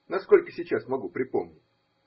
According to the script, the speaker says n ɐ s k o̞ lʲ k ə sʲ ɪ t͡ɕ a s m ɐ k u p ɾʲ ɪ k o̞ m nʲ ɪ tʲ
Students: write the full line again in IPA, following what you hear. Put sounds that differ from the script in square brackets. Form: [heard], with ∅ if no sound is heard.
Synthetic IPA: n ɐ s k o̞ lʲ k ə sʲ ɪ t͡ɕ a s m ɐ [ɡ] u p ɾʲ ɪ [p] o̞ m nʲ ɪ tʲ